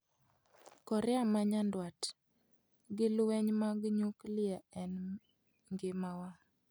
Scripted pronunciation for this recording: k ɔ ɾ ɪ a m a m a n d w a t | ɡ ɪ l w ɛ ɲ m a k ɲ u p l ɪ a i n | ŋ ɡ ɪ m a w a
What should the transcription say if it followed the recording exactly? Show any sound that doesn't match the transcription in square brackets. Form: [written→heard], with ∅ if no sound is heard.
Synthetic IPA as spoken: k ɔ ɾ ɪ a m a [m→ɲ] a n d w a t | ɡ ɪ l w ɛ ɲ m a [k→ɡ] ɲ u [p→k] l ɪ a [i→ɛ] n | ŋ ɡ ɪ m a w a